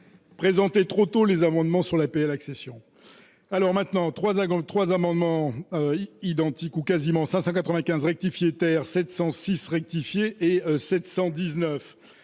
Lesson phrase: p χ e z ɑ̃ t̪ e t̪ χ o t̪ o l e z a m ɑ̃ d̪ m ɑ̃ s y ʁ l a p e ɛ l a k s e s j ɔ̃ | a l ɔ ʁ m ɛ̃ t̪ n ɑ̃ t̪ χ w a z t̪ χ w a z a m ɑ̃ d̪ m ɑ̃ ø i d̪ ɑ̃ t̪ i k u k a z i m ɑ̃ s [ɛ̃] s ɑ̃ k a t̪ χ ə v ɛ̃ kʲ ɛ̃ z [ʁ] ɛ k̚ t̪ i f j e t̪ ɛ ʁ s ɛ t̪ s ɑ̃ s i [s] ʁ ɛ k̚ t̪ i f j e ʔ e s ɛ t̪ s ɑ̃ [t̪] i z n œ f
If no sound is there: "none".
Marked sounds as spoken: ɛ̃, ʁ, s, d̪

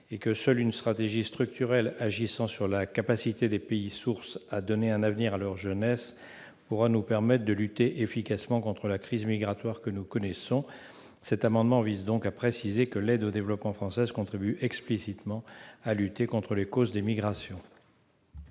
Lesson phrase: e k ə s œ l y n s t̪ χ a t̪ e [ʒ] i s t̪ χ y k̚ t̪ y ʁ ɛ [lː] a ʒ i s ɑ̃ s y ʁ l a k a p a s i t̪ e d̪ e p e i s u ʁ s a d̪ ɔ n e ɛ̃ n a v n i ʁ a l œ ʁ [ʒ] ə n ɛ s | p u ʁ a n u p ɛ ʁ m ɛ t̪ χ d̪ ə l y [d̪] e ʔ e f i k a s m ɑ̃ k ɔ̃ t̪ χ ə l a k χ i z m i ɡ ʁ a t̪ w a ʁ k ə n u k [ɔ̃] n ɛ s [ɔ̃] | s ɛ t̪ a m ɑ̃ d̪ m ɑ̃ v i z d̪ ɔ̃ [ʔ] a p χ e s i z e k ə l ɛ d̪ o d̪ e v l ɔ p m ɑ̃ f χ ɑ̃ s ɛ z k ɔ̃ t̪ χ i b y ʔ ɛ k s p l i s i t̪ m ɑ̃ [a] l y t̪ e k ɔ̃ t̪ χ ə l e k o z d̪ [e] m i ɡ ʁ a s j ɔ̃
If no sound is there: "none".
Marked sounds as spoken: ʒ, l, ʒ, t̪, ɔ, ɔ̃, k, a, e

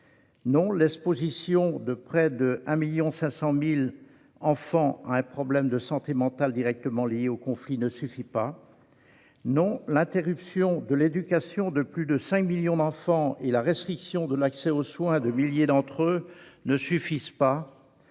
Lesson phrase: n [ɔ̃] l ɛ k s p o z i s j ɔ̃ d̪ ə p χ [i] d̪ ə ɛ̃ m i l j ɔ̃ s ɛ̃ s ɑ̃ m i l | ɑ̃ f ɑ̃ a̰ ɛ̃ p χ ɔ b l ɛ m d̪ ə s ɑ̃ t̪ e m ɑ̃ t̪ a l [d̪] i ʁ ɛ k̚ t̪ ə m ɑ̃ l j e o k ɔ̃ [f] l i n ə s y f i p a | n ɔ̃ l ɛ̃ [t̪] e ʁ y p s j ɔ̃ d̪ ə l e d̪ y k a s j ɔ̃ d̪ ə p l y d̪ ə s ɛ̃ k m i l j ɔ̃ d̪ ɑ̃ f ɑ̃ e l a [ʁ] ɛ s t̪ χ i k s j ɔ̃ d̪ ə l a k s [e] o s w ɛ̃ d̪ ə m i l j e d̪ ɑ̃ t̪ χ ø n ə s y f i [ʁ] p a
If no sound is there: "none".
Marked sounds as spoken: ɔ̃, ɛ, d̪, f, t̪, ʁ, ɛ, z

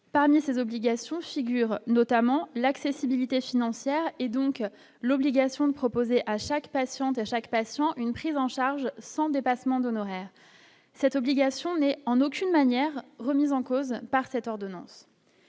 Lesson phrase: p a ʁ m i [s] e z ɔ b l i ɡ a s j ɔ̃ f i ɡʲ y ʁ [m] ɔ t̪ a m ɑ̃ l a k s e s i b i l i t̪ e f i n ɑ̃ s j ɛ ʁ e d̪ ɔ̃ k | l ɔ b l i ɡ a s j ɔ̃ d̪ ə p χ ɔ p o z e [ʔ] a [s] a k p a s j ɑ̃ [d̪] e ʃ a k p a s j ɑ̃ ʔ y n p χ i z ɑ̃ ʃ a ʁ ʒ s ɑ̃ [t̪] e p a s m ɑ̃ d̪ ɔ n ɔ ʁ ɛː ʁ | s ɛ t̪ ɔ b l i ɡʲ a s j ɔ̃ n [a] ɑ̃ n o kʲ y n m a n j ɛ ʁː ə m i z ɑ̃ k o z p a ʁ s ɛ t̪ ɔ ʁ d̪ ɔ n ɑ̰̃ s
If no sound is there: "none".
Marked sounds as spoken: s, n, ʔ, ʃ, t̪, d̪, ɛ

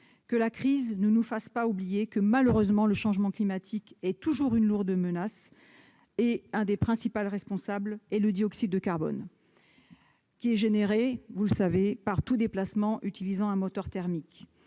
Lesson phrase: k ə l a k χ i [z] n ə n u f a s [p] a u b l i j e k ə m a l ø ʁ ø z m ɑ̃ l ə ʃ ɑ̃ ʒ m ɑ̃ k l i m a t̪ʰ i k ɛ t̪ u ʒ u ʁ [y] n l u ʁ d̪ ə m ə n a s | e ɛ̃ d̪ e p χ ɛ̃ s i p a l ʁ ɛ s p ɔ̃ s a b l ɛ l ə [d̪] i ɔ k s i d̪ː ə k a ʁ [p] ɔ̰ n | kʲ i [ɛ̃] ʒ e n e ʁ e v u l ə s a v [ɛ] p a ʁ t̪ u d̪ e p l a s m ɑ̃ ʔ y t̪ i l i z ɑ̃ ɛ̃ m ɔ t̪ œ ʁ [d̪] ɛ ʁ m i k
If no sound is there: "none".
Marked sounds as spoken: z, p, y, d̪, b, ɛ, e, t̪

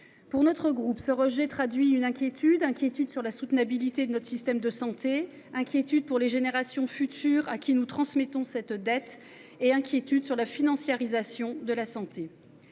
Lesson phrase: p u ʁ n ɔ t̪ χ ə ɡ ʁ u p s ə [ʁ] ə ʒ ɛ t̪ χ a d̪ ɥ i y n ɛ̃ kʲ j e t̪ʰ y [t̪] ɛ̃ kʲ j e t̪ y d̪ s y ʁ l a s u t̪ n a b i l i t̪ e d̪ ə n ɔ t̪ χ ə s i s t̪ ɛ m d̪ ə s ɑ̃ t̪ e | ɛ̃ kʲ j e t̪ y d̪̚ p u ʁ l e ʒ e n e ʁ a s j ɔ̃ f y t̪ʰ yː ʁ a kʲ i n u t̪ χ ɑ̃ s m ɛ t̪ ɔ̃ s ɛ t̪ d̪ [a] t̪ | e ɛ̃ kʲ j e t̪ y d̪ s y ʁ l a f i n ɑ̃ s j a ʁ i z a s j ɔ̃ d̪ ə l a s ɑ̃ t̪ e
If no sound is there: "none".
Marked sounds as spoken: ʁ, d̪, ɛ

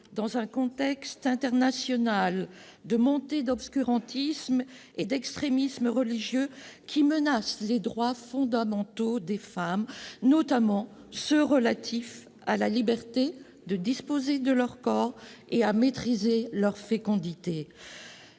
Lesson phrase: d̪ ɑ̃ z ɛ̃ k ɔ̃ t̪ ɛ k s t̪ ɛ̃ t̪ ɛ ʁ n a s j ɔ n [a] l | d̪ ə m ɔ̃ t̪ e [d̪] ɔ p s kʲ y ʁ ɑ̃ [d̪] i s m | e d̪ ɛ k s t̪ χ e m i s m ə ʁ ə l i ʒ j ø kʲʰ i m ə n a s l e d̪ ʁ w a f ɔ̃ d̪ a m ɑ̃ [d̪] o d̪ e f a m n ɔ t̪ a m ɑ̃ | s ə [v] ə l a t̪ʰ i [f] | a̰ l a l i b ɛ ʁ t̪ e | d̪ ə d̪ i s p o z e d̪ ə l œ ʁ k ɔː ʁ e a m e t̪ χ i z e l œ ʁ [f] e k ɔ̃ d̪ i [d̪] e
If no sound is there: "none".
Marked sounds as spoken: a, d̪, t̪, t̪, ʁ, f, f, t̪

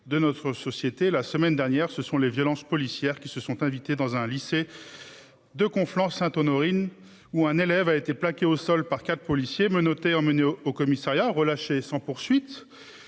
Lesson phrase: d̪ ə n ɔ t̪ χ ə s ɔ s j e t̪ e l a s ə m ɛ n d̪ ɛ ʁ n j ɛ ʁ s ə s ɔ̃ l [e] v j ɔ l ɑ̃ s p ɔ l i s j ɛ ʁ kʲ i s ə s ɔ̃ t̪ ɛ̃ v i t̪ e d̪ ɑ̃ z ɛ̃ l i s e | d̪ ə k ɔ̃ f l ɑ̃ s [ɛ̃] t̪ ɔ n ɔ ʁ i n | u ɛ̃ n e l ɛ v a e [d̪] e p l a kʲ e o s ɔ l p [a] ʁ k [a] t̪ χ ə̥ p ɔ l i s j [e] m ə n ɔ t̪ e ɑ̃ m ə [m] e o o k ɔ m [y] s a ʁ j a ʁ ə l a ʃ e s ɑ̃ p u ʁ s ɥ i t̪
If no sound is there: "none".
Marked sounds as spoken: e, ɛ̃, t̪, a, a, e, n, i

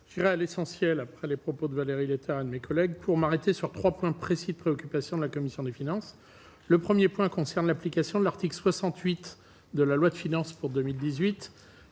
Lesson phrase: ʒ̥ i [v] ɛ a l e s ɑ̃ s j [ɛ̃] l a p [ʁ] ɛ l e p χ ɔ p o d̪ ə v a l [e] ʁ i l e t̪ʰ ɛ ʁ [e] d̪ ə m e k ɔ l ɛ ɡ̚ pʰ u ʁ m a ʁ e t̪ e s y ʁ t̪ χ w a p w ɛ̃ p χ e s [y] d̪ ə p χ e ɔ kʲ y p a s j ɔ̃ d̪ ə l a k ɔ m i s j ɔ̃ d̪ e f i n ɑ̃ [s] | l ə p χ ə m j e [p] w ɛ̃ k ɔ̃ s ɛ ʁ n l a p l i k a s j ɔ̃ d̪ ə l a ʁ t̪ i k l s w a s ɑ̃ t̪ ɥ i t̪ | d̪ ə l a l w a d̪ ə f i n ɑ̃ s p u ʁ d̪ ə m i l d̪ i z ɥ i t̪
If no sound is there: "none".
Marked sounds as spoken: ʁ, ɛ, χ, e, e, i, s, p

